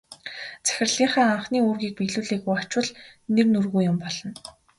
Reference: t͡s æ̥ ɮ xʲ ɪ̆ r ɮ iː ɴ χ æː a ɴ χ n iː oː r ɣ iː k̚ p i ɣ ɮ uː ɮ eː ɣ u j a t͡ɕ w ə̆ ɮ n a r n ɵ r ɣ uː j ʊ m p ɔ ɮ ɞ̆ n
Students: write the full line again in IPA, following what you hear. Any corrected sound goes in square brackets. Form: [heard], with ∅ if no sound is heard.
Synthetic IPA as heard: t͡s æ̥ [∅] xʲ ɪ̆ r ɮ iː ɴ χ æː a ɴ χ n iː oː r ɣ iː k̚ p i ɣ ɮ uː ɮ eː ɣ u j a t͡ɕ w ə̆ ɮ n [e] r n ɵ r ɣ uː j ʊ m p ɔ ɮ ɞ̆ n